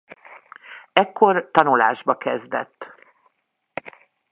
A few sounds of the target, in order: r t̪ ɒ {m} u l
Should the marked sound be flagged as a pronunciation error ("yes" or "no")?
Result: yes